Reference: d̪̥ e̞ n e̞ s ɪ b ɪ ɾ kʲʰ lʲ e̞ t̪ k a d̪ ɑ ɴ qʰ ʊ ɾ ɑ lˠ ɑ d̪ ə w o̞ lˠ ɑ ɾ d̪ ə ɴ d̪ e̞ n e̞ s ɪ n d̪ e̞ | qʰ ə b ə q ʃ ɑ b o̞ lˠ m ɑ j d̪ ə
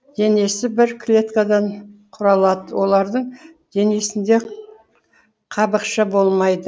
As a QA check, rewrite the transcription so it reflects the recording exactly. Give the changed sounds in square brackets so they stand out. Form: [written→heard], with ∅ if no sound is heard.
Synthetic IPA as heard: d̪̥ e̞ n e̞ s ɪ b ɪ ɾ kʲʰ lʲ e̞ t̪ k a d̪ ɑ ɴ qʰ ʊ ɾ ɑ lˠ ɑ d̪ ə w o̞ lˠ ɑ ɾ d̪ ə ɴ d̪ e̞ n e̞ s ɪ n d̪ e̞ | qʰ [ə→ɑ] b ə q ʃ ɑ b o̞ lˠ m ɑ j d̪ ə